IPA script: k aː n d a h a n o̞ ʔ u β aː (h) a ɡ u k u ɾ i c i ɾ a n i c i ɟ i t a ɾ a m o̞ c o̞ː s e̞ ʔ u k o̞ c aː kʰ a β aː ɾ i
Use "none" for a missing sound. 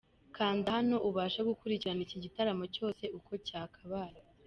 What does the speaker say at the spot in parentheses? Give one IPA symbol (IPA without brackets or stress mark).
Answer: ʃ